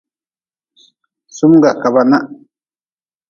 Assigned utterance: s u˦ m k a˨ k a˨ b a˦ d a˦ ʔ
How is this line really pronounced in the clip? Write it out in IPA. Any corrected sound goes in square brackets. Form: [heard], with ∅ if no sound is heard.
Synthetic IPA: s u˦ m [ɡ] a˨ k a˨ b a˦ [n] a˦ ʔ